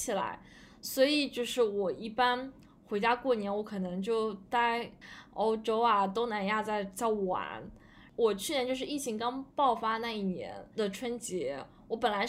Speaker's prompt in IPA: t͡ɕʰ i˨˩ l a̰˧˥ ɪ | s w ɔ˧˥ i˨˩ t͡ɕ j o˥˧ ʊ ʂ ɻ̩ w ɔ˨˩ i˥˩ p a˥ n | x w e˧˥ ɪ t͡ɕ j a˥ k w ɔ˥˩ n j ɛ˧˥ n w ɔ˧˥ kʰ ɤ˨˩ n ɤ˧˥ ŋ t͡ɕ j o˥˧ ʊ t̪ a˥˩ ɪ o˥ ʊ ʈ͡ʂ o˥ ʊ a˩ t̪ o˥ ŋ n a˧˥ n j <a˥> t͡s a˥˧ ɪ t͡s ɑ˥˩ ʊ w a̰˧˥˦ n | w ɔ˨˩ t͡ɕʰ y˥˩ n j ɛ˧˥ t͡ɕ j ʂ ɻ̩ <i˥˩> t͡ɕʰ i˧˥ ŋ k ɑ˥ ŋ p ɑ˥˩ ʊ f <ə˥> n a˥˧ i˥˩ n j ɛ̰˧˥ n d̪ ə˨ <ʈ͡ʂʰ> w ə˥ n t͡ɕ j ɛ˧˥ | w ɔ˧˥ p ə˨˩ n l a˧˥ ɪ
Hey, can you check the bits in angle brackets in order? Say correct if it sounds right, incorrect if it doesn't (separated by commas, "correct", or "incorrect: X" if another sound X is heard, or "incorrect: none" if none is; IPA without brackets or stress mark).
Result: incorrect: a˥˧, correct, incorrect: a˥, correct